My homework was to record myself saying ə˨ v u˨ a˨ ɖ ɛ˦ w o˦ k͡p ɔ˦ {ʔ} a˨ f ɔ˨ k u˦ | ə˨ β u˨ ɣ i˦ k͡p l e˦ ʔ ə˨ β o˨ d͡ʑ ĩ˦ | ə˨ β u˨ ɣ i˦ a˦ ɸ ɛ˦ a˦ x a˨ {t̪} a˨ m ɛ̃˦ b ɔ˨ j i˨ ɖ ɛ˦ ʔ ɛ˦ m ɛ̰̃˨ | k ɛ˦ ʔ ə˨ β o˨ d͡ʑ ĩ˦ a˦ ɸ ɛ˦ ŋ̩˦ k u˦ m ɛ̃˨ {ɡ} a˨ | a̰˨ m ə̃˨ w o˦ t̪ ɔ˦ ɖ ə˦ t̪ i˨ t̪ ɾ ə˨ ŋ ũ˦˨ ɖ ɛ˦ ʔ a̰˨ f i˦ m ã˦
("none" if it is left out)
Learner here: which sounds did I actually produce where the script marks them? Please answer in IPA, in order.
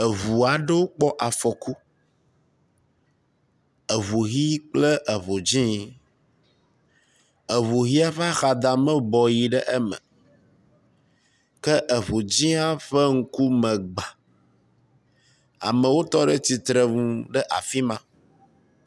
ʔ, d̪, ɡ͡b

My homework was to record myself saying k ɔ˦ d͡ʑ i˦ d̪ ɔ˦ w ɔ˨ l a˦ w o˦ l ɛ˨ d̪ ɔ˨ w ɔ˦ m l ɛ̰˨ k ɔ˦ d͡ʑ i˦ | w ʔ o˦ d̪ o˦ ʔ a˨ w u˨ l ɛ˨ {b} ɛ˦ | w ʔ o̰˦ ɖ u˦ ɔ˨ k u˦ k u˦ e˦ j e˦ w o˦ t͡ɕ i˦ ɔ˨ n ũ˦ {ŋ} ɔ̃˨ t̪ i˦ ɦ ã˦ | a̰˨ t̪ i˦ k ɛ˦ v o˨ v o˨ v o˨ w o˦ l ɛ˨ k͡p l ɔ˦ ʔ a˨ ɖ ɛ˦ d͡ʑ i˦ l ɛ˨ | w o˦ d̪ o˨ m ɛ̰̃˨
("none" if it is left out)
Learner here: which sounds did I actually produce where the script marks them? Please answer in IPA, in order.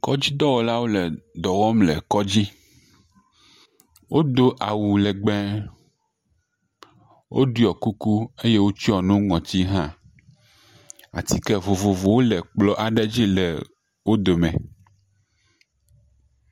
ɡ͡b, ŋ

